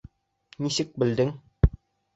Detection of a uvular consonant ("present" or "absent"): absent